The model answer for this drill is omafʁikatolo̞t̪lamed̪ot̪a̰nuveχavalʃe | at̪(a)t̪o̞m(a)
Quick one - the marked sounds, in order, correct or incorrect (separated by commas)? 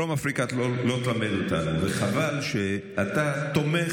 correct, incorrect